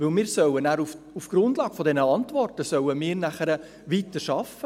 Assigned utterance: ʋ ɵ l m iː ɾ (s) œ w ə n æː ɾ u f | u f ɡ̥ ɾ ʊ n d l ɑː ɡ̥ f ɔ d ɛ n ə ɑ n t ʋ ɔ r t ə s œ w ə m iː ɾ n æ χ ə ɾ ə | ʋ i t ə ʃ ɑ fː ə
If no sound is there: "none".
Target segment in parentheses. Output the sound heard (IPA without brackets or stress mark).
s